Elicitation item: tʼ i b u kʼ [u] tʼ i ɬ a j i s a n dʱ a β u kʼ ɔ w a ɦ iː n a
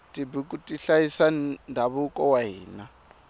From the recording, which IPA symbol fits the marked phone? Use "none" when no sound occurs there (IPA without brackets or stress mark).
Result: u